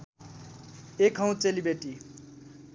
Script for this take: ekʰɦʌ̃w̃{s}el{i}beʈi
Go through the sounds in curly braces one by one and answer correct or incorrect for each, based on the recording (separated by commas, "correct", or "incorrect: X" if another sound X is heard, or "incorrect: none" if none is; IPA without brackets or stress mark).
incorrect: t͡s, correct